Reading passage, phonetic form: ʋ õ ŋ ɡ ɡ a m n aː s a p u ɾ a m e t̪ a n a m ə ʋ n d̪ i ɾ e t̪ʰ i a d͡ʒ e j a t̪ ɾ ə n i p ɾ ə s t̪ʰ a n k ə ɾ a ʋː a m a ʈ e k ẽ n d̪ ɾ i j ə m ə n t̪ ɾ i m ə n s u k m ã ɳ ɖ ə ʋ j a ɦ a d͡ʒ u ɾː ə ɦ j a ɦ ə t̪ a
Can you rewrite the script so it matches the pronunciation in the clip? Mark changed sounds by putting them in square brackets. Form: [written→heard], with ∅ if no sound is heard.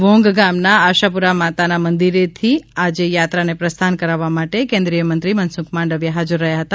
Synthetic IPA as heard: ʋ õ ŋ ɡ ɡ a m n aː [s→ʃ] a p u ɾ a m [e→a] t̪ a n a m ə [ʋ→∅] n d̪ i ɾ e t̪ʰ i a d͡ʒ e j a t̪ ɾ [ə→a] n [i→e] p ɾ ə s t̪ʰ a n k ə ɾ a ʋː a m a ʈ e k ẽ n d̪ ɾ i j ə m ə n t̪ ɾ i m ə n s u k m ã ɳ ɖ ə ʋ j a ɦ a d͡ʒ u ɾː ə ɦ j a ɦ ə t̪ a